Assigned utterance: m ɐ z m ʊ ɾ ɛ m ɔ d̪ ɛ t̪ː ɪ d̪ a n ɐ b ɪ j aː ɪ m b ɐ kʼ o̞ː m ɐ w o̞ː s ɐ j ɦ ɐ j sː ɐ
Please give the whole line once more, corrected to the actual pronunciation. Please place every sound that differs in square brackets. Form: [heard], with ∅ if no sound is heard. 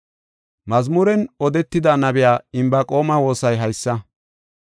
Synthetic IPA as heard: m ɐ z m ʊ ɾ ɛ [n] ɔ d̪ ɛ t̪ː ɪ d̪ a n ɐ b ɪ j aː ɪ m b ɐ kʼ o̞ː m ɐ w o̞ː s ɐ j ɦ ɐ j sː ɐ